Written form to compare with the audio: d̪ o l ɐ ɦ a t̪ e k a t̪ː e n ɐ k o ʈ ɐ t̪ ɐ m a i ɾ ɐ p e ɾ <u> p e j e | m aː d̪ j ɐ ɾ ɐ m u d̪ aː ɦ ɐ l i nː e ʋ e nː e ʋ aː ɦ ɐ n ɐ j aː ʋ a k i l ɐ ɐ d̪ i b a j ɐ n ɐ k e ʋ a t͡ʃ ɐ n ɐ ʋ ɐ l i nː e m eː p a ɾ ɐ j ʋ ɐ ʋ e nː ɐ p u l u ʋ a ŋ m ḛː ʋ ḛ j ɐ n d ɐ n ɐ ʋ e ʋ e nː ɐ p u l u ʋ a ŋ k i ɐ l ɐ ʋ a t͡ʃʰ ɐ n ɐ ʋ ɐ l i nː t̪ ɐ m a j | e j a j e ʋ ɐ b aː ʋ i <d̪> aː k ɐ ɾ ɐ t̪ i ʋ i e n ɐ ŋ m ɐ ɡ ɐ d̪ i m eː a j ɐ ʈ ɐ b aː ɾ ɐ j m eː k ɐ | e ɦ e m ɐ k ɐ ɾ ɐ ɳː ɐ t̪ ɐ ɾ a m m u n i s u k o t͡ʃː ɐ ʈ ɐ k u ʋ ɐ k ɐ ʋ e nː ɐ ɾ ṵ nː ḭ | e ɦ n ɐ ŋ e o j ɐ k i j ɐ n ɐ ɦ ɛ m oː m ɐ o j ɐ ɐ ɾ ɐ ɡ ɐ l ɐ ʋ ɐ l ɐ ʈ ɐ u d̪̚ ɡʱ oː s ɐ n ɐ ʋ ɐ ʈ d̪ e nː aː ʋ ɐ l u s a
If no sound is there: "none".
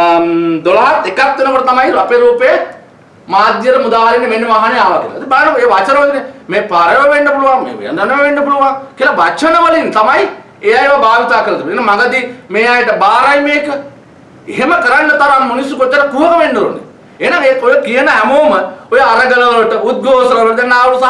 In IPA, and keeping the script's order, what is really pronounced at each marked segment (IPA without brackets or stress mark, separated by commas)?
uː, t̪